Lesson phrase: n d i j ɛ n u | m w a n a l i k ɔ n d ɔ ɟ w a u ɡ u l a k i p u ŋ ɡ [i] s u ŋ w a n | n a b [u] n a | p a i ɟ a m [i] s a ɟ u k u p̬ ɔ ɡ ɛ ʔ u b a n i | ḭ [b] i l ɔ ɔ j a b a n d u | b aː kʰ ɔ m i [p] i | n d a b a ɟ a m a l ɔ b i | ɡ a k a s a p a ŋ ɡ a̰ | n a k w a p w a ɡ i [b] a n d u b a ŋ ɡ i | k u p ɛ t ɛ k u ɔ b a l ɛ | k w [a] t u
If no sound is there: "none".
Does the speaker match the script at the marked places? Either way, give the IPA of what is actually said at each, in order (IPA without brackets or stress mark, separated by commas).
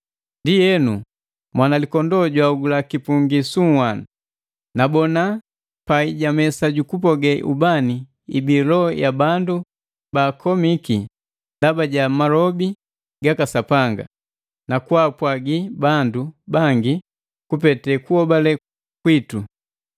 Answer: i, ɔ, ɛ, b, k, b, i